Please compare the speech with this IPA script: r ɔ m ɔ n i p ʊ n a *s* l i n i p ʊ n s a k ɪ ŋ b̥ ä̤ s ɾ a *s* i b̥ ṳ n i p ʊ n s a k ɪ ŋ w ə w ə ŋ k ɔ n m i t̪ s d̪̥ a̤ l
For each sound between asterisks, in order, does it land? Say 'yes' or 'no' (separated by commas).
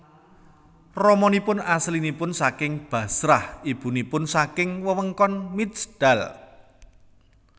yes, no